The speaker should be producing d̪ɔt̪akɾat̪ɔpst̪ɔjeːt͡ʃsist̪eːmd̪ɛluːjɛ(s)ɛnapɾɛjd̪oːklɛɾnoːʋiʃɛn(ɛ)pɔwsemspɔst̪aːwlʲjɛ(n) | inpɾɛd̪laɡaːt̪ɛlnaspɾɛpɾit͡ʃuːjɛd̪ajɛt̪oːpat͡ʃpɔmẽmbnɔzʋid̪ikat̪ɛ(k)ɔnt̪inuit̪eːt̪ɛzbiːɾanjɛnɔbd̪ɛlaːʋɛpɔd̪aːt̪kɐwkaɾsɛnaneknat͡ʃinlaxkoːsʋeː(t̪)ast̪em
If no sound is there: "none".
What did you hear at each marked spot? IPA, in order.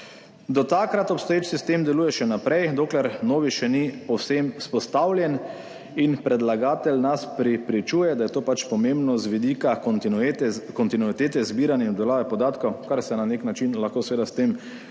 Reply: ʃ, i, n, k, d̪

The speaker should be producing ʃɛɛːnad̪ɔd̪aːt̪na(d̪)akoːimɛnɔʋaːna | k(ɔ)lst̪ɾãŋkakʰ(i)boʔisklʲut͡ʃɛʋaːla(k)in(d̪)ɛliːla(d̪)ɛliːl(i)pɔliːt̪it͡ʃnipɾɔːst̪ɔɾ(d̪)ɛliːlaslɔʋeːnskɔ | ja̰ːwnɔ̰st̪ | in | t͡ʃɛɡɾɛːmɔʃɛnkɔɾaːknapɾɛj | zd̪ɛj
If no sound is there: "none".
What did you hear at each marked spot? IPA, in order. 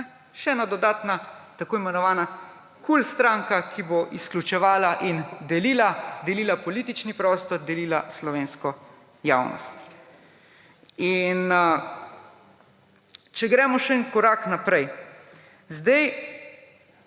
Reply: t̪, u, i, ʔ, d̪, d̪, a, d̪

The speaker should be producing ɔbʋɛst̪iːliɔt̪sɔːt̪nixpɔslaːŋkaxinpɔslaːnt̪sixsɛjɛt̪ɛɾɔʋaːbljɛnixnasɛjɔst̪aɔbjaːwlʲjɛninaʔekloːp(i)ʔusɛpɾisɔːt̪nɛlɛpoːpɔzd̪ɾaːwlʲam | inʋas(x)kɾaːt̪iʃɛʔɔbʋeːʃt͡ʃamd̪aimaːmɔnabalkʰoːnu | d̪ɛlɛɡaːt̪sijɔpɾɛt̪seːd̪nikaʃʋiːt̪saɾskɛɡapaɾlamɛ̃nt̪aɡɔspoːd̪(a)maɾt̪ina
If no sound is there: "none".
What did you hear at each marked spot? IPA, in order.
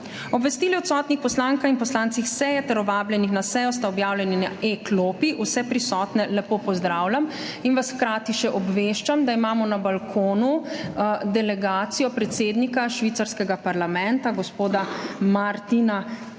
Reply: i, x, a

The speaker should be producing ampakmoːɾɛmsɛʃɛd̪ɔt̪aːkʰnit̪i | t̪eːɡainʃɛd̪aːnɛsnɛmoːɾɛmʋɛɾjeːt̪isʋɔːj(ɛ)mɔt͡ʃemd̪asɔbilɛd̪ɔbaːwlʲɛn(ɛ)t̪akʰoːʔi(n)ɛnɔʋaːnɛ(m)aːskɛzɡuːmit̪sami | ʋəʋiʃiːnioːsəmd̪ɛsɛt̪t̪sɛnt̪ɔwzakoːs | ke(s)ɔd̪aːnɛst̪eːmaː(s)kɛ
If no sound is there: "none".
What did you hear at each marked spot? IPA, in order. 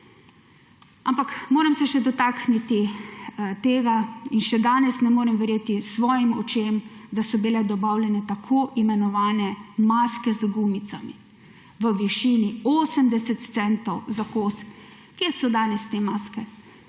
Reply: i, ɛ, m, m, s, s

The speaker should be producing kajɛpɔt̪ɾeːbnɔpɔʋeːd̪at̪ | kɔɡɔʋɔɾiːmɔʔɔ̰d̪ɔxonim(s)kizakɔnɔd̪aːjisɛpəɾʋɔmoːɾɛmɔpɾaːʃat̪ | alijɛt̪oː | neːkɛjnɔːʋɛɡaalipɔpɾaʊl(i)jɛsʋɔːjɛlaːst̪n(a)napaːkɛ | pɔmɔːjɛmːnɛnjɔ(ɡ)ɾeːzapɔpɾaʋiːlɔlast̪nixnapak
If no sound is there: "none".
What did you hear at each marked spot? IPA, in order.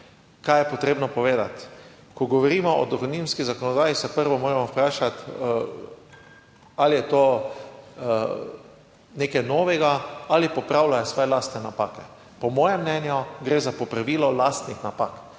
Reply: s, a, ɛ, ɡ

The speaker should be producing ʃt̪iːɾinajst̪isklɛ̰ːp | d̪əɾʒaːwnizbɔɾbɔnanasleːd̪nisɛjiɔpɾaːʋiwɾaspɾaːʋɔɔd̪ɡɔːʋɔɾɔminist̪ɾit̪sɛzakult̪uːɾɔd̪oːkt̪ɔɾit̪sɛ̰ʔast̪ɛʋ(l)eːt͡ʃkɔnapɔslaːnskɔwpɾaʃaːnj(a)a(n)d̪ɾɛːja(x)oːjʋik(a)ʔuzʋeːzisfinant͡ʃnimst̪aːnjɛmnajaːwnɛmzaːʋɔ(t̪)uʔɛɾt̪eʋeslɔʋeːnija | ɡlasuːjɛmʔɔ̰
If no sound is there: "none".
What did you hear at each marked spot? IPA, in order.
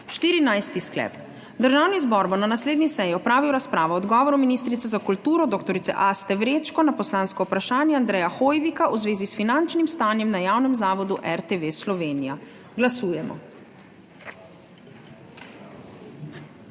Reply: ɾ, ɛ, n, x, a, d̪

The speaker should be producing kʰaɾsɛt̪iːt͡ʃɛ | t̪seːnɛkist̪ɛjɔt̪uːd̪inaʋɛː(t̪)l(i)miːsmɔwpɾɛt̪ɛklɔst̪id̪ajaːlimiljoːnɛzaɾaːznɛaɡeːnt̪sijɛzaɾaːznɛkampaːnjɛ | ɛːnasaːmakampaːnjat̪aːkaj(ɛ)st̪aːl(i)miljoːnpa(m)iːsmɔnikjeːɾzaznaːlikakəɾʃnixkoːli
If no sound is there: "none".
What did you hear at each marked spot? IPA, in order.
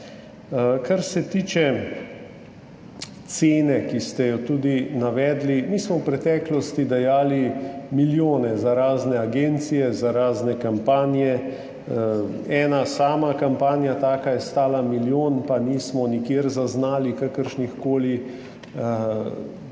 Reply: d̪, i, ɛ, a, n

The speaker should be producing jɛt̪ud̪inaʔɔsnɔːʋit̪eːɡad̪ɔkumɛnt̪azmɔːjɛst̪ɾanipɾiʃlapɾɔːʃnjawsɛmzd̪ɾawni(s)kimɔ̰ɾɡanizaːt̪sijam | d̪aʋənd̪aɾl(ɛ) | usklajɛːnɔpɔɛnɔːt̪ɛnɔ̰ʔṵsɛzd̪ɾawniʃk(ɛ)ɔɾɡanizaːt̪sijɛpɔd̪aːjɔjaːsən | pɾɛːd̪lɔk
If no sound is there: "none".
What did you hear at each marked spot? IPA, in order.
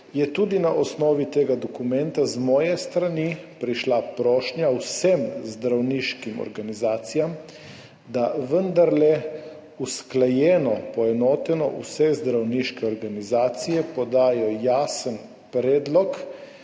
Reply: ʃ, ɛ, ɛ

